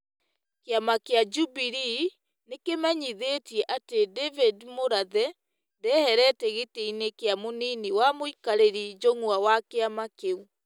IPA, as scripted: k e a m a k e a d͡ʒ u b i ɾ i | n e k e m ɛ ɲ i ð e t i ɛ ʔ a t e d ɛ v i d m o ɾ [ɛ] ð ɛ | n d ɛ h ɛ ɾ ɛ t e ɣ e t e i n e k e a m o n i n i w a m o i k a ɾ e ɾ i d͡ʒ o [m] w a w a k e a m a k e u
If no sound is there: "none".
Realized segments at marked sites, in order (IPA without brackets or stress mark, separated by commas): a, ŋ